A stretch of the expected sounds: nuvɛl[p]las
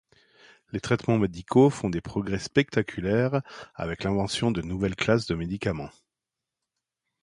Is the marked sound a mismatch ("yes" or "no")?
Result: yes